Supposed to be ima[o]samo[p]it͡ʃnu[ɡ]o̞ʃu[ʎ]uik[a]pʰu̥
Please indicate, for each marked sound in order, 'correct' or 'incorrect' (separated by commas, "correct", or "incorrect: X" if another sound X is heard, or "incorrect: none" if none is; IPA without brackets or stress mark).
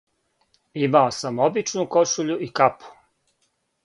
correct, incorrect: b, incorrect: k, correct, correct